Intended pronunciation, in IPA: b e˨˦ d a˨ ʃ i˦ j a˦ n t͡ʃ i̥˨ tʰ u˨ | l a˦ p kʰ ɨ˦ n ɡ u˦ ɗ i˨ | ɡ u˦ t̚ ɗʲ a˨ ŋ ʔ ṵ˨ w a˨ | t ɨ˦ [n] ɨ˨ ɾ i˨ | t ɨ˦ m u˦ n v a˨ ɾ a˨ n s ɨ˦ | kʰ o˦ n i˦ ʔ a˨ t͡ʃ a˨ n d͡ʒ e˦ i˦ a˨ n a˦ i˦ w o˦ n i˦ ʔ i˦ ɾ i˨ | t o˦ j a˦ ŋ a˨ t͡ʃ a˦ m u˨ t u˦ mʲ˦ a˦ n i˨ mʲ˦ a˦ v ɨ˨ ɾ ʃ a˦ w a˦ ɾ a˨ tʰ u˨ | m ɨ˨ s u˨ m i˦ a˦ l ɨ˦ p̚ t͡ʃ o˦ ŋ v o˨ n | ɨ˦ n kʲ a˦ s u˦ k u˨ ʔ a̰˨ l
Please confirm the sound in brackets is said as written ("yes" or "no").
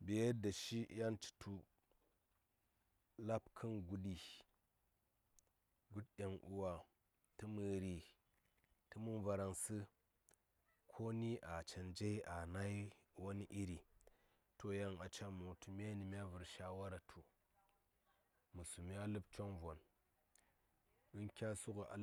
no